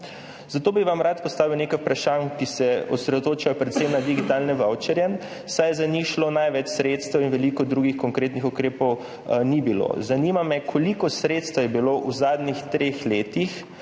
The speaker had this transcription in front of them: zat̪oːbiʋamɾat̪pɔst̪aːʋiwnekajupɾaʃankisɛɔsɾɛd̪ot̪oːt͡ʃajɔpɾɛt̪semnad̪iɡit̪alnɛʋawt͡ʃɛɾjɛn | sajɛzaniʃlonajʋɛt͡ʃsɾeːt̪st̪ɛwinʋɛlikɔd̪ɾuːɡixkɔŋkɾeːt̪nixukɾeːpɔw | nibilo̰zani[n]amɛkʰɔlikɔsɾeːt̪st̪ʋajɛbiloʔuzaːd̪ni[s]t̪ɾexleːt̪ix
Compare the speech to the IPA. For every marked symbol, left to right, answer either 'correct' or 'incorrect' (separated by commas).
incorrect, incorrect